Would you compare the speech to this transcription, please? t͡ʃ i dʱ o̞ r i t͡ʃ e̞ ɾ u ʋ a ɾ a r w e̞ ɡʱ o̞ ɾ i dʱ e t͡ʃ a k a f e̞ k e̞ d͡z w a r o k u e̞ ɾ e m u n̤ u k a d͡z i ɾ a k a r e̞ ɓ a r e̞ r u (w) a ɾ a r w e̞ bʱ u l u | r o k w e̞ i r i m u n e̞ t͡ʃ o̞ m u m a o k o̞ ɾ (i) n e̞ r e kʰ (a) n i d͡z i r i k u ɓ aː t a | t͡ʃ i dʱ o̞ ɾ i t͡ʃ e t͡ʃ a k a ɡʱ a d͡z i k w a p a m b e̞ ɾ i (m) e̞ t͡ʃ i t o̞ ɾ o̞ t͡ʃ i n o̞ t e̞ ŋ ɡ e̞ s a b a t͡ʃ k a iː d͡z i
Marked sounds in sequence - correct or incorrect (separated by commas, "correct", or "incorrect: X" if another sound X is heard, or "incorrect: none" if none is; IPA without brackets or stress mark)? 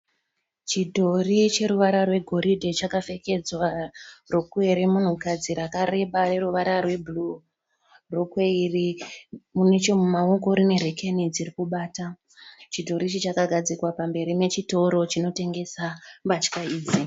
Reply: incorrect: ʋ, correct, incorrect: e, correct